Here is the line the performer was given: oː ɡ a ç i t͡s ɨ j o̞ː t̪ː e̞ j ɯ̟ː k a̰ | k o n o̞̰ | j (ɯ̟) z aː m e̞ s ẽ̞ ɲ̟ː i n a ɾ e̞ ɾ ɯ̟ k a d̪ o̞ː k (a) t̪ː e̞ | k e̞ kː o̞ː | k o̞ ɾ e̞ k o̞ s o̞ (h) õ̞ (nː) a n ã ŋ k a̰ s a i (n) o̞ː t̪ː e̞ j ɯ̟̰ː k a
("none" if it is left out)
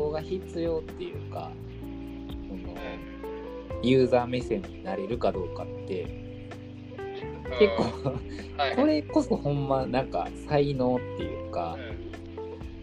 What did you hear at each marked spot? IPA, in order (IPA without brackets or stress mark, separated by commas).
ɯ̟ː, a, h, mː, n